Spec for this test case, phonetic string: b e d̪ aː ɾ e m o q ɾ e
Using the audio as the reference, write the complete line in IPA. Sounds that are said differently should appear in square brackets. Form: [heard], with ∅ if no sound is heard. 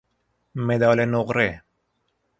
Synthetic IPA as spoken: [m] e d̪ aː [l] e [n] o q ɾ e

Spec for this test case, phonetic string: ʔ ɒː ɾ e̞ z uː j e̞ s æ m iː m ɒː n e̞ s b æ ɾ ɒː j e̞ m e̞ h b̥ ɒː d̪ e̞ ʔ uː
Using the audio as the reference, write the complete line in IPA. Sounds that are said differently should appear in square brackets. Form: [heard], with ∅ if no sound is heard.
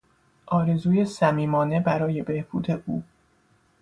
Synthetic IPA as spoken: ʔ ɒː ɾ e̞ z uː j e̞ s æ m iː m ɒː n e̞ [∅] b æ ɾ ɒː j e̞ [b] e̞ h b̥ [uː] d̪ e̞ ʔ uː

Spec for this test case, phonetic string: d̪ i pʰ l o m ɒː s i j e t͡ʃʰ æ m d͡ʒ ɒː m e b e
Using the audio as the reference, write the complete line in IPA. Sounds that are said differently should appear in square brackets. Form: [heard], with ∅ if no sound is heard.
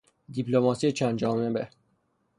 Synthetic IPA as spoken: d̪ i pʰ l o m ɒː s i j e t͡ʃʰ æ [n] d͡ʒ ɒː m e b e

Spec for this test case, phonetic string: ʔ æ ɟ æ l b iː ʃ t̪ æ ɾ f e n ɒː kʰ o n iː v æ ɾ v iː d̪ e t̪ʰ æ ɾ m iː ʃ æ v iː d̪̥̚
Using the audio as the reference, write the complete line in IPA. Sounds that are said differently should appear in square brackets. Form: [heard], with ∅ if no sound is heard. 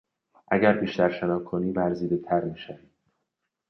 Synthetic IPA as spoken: ʔ æ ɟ æ [ɾ] b iː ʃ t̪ æ ɾ [ʃ] e n ɒː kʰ o n iː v æ ɾ [z] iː d̪ e t̪ʰ æ ɾ m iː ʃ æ v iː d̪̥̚

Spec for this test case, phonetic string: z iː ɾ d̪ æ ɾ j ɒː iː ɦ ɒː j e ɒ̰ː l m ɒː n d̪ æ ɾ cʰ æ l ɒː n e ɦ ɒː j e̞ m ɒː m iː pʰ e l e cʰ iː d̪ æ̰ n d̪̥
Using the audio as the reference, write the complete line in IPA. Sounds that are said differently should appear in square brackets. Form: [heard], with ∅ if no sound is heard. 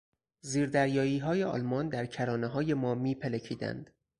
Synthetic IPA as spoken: z iː ɾ d̪ æ ɾ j ɒː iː ɦ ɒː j e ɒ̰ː l m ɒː n d̪ æ ɾ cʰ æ [ɾ] ɒː n e ɦ ɒː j e̞ m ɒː m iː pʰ e l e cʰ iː d̪ æ̰ n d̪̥

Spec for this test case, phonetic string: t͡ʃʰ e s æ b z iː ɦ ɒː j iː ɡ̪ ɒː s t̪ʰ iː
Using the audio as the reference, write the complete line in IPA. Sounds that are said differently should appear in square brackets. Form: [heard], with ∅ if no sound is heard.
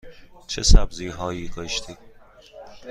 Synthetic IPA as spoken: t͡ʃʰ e s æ b z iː ɦ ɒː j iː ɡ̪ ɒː [ʃ] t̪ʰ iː

